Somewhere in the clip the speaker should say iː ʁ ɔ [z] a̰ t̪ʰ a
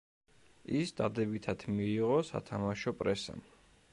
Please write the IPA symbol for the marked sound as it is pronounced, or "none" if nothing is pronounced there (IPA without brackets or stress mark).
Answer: s